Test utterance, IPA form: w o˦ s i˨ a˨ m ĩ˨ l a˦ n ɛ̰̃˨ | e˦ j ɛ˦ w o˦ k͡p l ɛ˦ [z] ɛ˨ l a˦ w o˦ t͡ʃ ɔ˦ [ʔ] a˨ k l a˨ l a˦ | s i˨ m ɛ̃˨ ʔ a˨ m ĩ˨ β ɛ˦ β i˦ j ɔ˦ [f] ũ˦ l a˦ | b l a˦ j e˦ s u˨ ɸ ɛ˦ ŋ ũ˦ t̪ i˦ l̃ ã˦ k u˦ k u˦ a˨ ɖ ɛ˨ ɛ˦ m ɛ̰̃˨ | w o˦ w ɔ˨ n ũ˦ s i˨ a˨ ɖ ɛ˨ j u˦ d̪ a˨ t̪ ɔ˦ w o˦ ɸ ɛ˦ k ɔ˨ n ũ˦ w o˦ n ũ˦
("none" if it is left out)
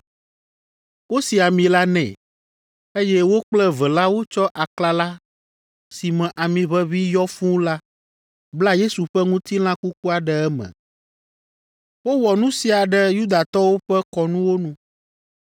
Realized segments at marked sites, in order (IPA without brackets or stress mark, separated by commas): v, ʔ, f